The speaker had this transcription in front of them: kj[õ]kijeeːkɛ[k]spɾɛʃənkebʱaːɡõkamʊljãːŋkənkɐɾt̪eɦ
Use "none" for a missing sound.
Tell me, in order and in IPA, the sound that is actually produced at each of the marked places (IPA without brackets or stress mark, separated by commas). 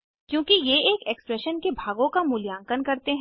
õː, k